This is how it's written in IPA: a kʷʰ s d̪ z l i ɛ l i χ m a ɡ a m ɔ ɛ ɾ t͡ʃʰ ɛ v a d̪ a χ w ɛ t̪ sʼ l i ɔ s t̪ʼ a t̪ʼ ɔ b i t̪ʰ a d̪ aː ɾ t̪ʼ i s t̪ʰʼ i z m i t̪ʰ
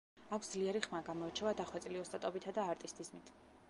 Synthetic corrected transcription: a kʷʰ s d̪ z l i ɛ ɾ i χ m a ɡ a m ɔ ɛ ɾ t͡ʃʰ ɛ v a d̪ a χ w ɛ t̪ sʼ l i ɔ s t̪ʼ a t̪ʼ ɔ b i t̪ʰ a d̪ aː ɾ t̪ʼ i s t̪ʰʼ i z m i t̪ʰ